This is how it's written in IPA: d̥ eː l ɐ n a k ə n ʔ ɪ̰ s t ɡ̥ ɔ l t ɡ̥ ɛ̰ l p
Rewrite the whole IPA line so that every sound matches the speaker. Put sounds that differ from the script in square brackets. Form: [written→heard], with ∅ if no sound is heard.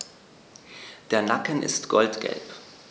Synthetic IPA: d̥ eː [l→∅] ɐ n a k ə n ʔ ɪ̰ s t ɡ̥ ɔ l t ɡ̥ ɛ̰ l p

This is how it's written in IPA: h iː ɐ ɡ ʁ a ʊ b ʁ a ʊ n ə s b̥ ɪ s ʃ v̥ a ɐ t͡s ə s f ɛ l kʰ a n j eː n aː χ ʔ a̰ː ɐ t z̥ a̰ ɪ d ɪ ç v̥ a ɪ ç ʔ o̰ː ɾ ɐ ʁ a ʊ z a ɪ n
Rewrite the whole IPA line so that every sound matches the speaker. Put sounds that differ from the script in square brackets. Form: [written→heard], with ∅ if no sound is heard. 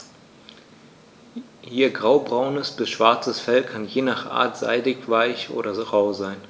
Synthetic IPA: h iː ɐ ɡ ʁ a ʊ b ʁ a ʊ n ə s b̥ ɪ s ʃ v̥ a ɐ t͡s ə s f ɛ l kʰ a n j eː n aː χ ʔ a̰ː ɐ t z̥ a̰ ɪ d ɪ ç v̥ a ɪ ç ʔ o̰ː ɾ ɐ ʁ a ʊ z a ɪ n

